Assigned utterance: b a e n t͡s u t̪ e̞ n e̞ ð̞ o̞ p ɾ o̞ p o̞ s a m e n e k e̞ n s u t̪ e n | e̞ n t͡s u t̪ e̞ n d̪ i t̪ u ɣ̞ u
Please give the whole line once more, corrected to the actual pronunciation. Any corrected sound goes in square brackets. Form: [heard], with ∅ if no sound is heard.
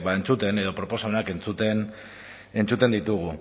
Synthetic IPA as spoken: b a e n t͡s u t̪ e̞ n e̞ ð̞ o̞ p ɾ o̞ p o̞ s a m e n [a] k e̞ n [t͡s] u t̪ e n | e̞ n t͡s u t̪ e̞ n d̪ i t̪ u ɣ̞ u